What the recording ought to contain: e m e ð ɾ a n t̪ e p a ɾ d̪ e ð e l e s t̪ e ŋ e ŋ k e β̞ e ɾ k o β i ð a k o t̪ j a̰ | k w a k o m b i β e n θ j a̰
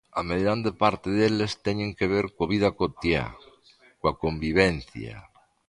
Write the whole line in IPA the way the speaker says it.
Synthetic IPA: a m e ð ɾ a n d̪ e p a ɾ t̪ e ð e l e s t̪ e ɲ e ŋ k e β̞ e ɾ k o β i ð a k o t̪ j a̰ | k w a k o m b i β e n θ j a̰

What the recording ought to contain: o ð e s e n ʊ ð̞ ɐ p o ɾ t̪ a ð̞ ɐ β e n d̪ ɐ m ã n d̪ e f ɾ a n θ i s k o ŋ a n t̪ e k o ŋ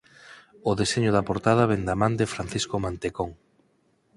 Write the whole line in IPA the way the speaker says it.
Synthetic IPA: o ð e s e ɲ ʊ ð̞ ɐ p o ɾ t̪ a ð̞ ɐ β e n d̪ a m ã n d̪ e f ɾ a n θ i s k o m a n t̪ e k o ŋ

